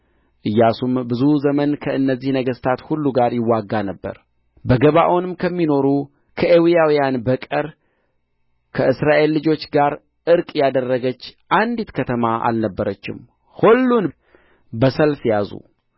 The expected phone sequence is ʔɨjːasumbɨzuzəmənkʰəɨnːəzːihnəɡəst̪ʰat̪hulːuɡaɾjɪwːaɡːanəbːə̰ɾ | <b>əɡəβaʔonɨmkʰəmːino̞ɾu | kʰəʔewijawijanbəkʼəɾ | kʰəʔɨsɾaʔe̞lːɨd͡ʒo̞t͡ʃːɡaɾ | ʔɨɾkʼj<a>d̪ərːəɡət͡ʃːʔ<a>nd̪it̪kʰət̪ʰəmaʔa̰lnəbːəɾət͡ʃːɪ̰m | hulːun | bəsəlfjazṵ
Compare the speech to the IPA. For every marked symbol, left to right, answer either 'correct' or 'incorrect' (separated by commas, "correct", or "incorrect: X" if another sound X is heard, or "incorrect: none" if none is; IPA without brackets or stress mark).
correct, correct, correct